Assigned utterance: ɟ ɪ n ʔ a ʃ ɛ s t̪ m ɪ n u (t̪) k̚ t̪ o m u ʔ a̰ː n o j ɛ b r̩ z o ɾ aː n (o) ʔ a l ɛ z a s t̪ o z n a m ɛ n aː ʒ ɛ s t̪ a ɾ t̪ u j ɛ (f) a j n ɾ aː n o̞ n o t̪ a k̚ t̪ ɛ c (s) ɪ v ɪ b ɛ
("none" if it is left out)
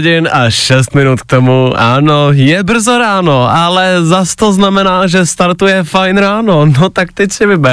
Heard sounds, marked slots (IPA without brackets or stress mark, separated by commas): t̪, o, f, s